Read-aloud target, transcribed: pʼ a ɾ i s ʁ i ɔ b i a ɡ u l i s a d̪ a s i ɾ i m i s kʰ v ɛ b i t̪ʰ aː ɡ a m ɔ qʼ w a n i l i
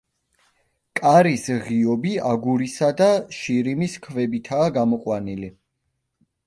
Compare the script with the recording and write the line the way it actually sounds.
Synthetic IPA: kʼ a ɾ i s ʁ i ɔ b i a ɡ u ɾ i s a d̪ a ʃ i ɾ i m i s kʰ v ɛ b i t̪ʰ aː ɡ a m ɔ qʼ w a n i l i